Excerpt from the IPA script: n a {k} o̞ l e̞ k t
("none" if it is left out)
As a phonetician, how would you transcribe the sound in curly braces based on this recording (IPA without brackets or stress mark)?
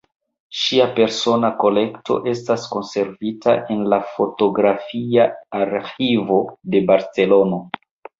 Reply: k